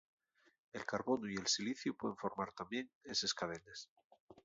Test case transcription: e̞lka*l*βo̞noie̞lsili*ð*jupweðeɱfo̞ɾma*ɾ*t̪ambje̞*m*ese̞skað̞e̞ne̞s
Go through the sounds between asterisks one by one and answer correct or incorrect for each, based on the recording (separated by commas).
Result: incorrect, incorrect, correct, incorrect